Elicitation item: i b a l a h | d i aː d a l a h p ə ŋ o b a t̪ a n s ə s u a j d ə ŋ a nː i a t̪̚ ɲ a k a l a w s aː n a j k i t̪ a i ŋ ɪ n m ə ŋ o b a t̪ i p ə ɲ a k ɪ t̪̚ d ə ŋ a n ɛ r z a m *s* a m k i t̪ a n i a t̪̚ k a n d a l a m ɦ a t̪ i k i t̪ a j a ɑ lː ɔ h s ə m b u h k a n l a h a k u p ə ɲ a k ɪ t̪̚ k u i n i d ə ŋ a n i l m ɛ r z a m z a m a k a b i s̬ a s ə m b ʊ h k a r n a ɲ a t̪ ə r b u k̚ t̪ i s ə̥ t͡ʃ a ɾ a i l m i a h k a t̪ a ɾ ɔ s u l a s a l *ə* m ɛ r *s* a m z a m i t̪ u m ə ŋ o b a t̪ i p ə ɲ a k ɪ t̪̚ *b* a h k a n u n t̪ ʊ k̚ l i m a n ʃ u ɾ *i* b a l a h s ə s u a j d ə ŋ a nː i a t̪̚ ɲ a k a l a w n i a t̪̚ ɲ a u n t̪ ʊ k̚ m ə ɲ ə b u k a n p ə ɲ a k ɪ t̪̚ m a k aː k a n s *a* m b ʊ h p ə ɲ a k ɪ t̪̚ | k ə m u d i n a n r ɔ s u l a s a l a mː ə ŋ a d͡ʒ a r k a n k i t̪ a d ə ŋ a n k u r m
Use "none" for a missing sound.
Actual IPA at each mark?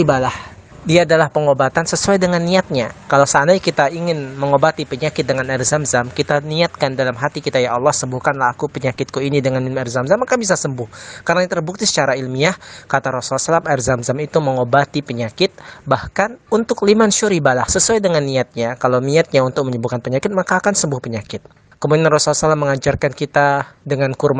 z, a, z, b, i, ə

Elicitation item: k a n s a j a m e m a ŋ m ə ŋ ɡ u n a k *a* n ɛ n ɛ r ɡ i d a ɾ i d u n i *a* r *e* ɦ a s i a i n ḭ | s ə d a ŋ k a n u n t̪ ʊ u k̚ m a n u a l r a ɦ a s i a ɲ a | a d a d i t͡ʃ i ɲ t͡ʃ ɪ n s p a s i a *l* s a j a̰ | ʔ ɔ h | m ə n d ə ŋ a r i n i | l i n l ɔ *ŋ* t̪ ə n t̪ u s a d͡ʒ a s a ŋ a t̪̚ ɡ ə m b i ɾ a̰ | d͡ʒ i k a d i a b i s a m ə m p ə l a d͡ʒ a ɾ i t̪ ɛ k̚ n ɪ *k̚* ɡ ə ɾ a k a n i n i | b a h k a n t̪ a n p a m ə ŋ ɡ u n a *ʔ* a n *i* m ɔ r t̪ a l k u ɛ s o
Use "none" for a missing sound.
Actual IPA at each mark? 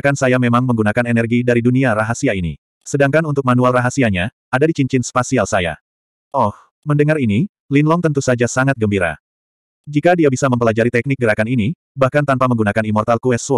a, a, a, l, ŋ, k̚, k, i

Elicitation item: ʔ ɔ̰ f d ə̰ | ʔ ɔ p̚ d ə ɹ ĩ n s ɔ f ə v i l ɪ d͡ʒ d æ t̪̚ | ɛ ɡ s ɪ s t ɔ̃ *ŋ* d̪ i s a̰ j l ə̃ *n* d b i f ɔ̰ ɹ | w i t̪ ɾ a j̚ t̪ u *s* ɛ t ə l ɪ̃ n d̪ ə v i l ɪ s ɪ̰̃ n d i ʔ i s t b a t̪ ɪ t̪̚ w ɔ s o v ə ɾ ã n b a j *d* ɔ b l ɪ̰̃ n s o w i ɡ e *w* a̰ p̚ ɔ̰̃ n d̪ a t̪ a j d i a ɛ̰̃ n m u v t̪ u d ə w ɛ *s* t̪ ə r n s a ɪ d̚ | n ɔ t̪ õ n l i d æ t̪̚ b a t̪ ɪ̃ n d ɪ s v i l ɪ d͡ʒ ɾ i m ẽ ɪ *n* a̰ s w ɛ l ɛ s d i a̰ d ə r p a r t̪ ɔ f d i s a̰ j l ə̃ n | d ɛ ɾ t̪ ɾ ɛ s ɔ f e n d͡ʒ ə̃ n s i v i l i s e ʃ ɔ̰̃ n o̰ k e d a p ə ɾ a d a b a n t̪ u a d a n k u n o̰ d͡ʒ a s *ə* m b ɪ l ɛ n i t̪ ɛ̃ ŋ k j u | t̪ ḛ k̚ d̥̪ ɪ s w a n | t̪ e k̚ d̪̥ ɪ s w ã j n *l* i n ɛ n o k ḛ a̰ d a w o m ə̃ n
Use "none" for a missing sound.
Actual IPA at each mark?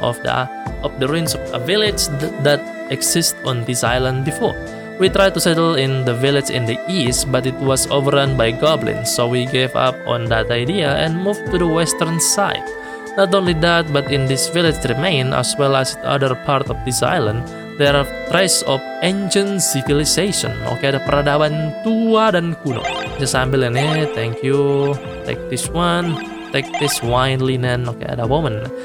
n, n, s, ɡ, v, s, n, a, l

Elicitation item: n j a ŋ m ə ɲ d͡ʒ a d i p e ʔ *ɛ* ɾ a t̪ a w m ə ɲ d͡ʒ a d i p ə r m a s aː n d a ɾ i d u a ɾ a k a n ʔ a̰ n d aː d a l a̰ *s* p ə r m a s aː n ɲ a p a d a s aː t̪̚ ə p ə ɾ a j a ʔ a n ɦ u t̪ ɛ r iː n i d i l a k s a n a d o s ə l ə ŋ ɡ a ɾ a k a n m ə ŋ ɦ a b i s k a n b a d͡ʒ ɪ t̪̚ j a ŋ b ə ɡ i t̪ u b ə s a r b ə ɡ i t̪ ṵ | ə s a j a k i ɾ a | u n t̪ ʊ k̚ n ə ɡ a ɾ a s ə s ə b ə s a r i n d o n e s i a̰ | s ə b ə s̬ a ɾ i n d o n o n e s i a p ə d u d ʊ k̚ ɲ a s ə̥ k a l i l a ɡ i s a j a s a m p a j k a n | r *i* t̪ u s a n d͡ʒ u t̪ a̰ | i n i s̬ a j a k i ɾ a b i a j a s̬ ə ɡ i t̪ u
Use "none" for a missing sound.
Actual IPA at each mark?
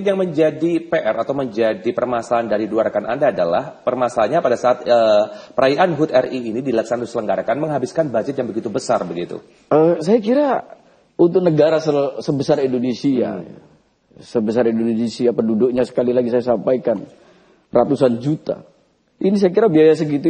ɛ, h, a

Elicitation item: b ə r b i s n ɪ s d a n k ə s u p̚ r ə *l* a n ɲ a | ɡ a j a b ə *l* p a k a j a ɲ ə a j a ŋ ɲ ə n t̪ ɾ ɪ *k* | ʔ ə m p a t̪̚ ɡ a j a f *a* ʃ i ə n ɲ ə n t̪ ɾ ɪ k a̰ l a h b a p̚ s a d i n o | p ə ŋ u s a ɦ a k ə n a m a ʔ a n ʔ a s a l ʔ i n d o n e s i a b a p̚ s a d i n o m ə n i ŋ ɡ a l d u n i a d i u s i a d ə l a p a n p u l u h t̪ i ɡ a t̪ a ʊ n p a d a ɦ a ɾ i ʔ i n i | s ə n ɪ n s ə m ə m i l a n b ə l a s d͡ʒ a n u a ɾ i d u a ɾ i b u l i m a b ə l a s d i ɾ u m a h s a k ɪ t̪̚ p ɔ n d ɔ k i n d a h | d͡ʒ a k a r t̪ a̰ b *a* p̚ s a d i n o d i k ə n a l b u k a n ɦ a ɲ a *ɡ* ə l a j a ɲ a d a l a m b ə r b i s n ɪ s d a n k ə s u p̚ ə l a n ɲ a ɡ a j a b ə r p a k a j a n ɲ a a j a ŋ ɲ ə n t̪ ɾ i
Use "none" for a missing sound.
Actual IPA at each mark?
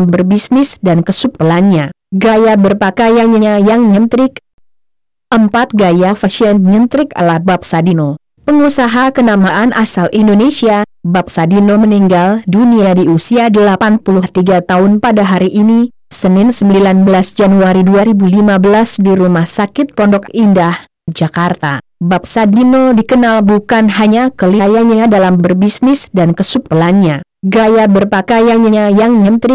l, r, k, a, a, k

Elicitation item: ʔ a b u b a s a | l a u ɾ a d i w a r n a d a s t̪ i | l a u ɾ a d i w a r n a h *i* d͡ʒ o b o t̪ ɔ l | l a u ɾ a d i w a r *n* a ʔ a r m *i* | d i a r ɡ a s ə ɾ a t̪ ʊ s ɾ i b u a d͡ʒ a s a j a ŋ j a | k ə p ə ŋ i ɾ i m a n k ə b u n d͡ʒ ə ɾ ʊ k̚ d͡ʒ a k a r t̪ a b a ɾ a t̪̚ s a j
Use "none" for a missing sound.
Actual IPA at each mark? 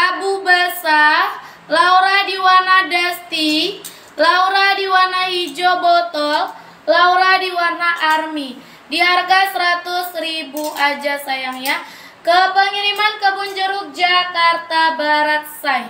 i, n, i

